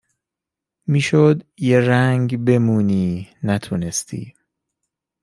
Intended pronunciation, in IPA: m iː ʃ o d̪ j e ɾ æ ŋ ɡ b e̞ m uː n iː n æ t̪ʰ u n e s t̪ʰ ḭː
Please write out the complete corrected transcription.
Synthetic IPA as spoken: m iː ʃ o d̪ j e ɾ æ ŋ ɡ b e̞ m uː n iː n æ t̪ʰ u n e s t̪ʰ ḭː